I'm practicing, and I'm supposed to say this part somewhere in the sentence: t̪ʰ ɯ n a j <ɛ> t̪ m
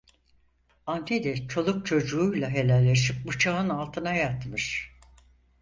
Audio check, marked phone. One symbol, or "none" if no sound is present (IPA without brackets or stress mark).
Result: a